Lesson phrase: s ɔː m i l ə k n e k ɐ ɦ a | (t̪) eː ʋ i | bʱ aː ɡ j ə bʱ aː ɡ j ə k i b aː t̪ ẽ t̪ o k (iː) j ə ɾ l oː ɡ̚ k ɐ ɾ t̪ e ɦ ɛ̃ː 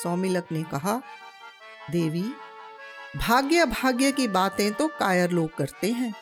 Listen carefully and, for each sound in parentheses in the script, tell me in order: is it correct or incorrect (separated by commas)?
incorrect, incorrect